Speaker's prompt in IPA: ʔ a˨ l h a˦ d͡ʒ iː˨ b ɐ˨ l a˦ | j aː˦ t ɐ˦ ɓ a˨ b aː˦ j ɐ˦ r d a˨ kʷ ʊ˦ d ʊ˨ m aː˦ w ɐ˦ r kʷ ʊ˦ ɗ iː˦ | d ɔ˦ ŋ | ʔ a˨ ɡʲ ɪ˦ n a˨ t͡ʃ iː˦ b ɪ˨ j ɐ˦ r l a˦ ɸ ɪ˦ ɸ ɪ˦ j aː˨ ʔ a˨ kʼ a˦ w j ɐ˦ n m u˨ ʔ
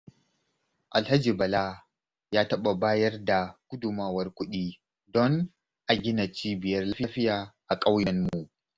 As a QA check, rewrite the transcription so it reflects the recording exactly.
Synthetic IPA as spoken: ʔ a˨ l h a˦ d͡ʒ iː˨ b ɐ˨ l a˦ | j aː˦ t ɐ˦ ɓ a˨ b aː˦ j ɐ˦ r d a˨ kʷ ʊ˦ d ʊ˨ m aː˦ w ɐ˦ r kʷ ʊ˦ ɗ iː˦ | d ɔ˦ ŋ | ʔ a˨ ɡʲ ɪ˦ n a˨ t͡ʃ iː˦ b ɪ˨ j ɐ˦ r l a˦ ɸ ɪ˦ ɸ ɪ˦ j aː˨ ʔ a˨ kʼ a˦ w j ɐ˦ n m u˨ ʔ